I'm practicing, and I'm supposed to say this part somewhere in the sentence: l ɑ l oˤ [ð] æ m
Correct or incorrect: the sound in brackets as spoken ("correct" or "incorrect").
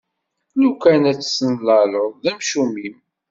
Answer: correct